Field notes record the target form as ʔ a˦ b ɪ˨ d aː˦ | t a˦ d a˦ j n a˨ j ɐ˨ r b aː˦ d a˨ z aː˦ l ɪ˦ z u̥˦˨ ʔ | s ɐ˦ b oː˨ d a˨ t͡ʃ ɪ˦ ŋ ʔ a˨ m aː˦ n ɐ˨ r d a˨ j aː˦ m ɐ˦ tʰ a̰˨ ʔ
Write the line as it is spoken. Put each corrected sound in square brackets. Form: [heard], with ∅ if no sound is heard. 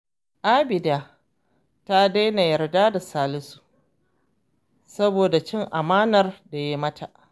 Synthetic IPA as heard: ʔ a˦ b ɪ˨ d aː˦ | t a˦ d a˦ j n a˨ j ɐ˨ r [d] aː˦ d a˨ [s] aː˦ l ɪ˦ [s] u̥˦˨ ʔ | s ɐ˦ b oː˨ d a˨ t͡ʃ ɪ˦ ŋ ʔ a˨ m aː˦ n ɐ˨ r d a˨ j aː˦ m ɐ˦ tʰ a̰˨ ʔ